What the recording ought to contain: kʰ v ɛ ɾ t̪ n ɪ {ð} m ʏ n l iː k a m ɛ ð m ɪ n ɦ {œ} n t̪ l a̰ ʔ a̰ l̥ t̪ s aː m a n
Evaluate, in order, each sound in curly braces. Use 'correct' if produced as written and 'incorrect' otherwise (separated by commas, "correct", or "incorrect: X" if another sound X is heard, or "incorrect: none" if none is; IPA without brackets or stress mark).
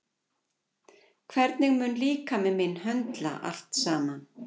incorrect: ɣ, correct